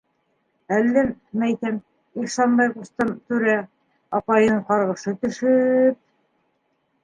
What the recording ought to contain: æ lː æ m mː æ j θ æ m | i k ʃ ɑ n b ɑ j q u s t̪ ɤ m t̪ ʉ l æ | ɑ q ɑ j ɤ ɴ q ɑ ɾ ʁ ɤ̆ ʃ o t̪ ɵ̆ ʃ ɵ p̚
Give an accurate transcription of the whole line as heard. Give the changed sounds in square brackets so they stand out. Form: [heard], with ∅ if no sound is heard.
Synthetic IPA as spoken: æ lː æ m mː æ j θ æ m | i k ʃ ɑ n b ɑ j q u s t̪ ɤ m t̪ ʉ [ɾ] æ | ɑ [p] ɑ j ɤ ɴ q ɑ ɾ ʁ ɤ̆ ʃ [ɤ] t̪ ɵ̆ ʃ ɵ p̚